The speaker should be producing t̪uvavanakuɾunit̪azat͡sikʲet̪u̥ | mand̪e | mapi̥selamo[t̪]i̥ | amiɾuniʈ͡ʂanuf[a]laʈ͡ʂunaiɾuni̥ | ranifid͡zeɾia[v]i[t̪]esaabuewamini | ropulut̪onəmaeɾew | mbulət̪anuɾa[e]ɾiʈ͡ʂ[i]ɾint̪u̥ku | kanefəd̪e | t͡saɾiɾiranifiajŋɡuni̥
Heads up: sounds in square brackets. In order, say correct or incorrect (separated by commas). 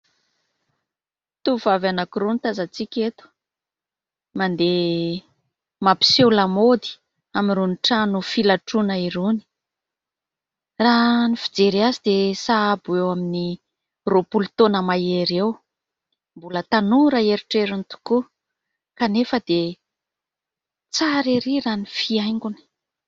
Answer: incorrect, incorrect, incorrect, incorrect, correct, incorrect